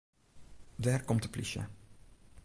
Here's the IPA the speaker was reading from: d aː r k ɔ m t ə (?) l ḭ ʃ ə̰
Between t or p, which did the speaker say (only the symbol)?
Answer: p